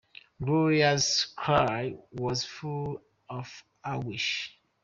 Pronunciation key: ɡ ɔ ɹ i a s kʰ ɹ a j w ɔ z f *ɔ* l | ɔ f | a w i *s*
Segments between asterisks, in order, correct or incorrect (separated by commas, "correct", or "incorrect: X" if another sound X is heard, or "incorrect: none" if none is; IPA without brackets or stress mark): incorrect: u, incorrect: ʃ